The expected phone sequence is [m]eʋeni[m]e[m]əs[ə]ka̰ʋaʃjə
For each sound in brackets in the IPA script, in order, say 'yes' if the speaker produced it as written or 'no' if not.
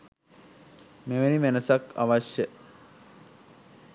yes, yes, no, no

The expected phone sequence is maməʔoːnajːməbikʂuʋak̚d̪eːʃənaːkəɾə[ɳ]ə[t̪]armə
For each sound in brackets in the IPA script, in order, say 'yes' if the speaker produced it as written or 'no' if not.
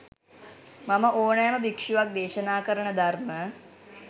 yes, no

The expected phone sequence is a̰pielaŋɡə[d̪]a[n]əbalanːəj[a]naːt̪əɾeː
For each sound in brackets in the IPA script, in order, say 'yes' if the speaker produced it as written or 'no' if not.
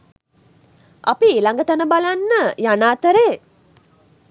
no, yes, yes

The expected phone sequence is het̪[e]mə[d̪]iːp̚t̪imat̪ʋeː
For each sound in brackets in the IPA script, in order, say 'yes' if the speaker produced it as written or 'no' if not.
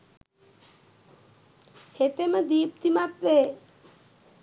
yes, yes

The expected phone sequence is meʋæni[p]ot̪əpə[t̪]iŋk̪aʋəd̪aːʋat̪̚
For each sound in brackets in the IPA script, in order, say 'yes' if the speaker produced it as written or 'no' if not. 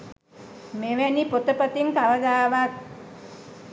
yes, yes

